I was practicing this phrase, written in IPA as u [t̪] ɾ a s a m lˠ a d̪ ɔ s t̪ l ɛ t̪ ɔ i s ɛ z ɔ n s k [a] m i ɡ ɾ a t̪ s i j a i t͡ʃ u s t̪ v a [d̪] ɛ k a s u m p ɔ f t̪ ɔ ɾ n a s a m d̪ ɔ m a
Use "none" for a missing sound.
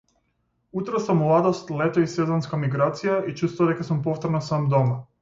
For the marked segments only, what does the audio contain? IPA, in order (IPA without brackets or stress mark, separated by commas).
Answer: t̪, a, d̪